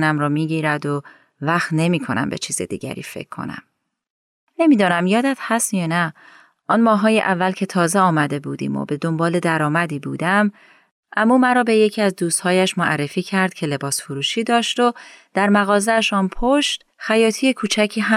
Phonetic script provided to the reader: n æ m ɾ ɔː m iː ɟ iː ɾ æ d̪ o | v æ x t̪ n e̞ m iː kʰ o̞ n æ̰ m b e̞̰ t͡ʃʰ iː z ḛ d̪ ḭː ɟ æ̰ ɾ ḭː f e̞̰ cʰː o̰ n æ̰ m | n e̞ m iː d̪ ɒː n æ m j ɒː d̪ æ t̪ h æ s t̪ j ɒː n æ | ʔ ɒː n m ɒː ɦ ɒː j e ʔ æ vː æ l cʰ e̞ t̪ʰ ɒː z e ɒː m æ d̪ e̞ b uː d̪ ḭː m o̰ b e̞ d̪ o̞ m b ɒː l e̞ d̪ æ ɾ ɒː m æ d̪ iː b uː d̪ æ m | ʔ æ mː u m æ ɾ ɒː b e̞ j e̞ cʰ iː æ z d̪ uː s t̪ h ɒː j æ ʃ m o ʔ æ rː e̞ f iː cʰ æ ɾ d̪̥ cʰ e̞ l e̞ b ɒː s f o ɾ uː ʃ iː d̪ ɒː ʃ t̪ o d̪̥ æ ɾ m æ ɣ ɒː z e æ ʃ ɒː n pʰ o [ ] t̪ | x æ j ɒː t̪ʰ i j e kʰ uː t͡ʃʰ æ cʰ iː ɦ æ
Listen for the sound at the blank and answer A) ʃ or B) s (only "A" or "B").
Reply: A